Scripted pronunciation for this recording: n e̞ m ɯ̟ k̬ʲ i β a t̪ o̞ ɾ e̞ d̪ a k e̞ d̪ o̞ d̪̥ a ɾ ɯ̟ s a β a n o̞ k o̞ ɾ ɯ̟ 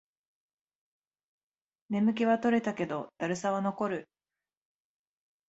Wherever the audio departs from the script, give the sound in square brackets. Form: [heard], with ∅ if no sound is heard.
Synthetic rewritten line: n e̞ m ɯ̟ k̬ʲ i β a t̪ o̞ ɾ e̞ [t̪] a k e̞ d̪ o̞ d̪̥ a ɾ ɯ̟ s a β a n o̞ k o̞ ɾ ɯ̟